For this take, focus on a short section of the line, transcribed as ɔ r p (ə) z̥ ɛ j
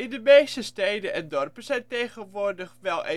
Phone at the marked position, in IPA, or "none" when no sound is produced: ə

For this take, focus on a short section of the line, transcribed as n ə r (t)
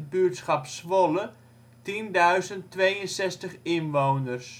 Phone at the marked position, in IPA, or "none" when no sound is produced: s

